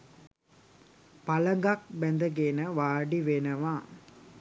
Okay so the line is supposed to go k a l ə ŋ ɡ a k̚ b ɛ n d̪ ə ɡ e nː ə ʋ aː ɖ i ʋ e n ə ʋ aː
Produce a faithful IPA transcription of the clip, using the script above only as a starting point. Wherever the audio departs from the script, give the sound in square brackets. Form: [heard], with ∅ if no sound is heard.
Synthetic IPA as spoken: [p] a l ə ŋ ɡ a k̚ b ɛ n d̪ ə ɡ e [n] ə ʋ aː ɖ i ʋ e n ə ʋ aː

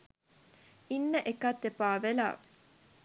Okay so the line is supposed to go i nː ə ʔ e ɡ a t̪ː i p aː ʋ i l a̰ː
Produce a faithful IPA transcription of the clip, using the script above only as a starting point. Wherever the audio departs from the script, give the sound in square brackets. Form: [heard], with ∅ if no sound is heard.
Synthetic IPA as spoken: i nː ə ʔ e [k] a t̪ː [e] p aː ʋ [e] l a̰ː

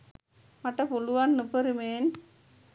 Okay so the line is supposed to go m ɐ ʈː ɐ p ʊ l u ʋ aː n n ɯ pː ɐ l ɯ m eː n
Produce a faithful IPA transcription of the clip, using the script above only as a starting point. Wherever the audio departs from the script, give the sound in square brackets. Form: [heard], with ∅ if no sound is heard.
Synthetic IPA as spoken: m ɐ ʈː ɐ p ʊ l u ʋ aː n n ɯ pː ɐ [ɾ] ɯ m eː n

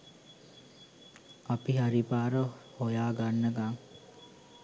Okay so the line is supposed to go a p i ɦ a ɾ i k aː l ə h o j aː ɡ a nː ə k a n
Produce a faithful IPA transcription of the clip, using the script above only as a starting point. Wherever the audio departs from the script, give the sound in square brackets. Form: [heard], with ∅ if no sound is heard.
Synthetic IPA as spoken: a p i ɦ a ɾ i [p] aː [ɾ] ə h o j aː ɡ a nː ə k a [ŋ]

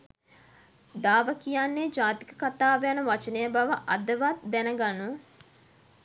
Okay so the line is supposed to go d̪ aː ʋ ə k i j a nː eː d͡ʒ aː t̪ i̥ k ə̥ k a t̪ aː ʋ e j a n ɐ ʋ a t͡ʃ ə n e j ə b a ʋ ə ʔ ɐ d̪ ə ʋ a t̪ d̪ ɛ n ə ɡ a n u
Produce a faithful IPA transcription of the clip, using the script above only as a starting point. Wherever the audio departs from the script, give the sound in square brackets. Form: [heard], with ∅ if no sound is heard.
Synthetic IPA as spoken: d̪ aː ʋ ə k i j a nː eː d͡ʒ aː t̪ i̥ k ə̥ k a t̪ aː ʋ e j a n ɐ ʋ a t͡ʃ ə n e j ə b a ʋ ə ʔ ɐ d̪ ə ʋ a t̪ d̪ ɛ n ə ɡ a n u

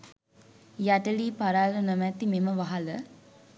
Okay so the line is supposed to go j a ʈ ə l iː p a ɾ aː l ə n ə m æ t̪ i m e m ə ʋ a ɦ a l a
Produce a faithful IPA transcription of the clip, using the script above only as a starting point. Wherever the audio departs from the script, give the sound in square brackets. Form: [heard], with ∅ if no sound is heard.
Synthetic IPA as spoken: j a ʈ ə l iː p a ɾ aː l ə n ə m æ t̪ i m e m ə ʋ a ɦ a l [ə]

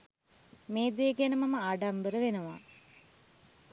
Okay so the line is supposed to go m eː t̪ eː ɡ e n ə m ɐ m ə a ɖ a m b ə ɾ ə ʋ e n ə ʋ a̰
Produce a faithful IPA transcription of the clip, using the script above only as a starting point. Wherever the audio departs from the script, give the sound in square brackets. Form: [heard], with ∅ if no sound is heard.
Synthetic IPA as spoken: m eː [d̪] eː ɡ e n ə m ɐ m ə a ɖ a m b ə ɾ ə ʋ e n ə ʋ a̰

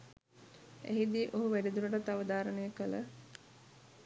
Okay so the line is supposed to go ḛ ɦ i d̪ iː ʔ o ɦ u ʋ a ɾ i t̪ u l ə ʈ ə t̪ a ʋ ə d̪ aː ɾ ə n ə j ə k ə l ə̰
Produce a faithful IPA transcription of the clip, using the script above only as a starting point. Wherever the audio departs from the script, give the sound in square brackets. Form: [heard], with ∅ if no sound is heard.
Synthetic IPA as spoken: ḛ ɦ i d̪ iː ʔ o ɦ u ʋ [æ] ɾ i [d̪] u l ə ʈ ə t̪ a ʋ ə d̪ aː ɾ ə n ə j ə k ə l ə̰

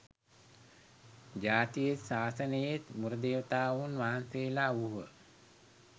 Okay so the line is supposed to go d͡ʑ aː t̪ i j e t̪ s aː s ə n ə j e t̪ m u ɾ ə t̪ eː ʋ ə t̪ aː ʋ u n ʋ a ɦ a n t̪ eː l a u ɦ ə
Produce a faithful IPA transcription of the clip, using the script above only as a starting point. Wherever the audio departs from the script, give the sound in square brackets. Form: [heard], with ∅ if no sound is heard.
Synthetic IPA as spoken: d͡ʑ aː t̪ i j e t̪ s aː s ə n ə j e t̪ m u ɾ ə [d̪] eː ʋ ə t̪ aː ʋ u n ʋ a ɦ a n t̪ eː l a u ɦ ə

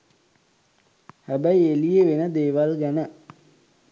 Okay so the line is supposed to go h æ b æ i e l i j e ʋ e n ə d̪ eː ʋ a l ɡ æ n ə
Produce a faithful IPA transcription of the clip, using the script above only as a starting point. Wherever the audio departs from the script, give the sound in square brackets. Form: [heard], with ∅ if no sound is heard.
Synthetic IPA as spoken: h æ b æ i e l i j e ʋ e n ə d̪ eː ʋ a l ɡ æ n ə

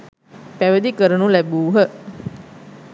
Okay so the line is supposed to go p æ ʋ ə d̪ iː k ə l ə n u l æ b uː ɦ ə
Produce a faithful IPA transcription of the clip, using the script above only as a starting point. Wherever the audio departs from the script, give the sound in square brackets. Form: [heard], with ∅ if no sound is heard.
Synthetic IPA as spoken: p æ ʋ ə d̪ [i] k ə [ɾ] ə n u l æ b uː ɦ ə

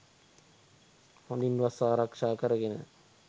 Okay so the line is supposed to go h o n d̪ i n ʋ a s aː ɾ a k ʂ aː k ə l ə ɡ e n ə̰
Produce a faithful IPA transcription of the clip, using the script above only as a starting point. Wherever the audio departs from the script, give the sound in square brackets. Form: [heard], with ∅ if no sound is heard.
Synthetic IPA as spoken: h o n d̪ i n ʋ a s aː ɾ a k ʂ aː k ə [ɾ] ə ɡ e n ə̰

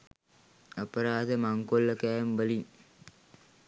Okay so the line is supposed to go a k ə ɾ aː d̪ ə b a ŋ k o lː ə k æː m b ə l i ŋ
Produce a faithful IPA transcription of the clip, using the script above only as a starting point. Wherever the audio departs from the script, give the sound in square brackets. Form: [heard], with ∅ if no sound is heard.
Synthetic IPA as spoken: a [p] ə ɾ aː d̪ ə [m] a ŋ k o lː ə k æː m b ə l i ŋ

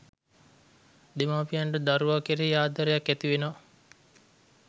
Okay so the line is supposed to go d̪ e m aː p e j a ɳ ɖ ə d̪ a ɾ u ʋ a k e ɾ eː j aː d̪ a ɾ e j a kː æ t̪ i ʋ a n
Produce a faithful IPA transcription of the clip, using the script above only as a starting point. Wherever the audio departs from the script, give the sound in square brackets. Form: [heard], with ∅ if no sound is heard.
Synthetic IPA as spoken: d̪ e m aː p [i] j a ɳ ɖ ə d̪ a ɾ u ʋ a k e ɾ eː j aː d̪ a ɾ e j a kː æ t̪ i ʋ [e] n

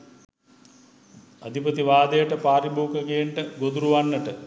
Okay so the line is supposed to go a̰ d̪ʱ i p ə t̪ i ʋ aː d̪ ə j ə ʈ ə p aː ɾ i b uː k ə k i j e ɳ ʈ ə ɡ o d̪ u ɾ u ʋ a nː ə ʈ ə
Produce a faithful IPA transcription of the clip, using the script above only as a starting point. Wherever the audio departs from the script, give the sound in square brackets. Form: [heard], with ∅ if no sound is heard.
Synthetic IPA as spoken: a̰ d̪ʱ i p ə t̪ i ʋ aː d̪ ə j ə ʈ ə p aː ɾ i b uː k ə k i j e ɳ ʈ ə ɡ o d̪ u ɾ u ʋ a nː ə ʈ ə

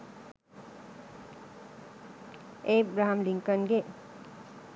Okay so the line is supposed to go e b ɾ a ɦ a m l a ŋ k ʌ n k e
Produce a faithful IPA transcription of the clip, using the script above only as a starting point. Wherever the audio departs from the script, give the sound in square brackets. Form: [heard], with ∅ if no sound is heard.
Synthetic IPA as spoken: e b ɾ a ɦ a m l [i] ŋ k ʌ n [ɡ] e

